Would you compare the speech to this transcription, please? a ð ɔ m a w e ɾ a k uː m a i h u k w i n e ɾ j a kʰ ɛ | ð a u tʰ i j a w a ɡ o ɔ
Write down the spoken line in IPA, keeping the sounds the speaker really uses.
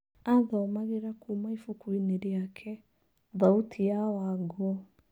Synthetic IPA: a ð ɔ m a ɣ e ɾ a k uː m a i f u k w i n e ɾ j a kʰ ɛ | ð a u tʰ i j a w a ɡ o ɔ